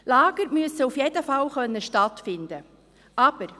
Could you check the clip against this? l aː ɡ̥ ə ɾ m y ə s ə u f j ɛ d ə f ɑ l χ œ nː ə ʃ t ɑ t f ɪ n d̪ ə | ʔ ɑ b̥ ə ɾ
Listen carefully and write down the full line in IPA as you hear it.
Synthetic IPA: l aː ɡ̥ ə ɾ m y ə s ə u f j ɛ d ə f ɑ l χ œ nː ə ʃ t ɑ t f ɪ n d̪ ə | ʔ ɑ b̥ ə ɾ